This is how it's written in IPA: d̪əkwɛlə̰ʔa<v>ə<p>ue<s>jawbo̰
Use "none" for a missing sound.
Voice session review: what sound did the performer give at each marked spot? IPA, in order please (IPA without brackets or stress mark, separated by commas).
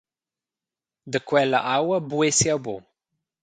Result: w, b, s